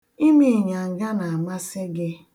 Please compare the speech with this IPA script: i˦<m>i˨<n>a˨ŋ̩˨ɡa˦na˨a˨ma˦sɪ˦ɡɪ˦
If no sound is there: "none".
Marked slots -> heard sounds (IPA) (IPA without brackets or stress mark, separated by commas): m, ɲ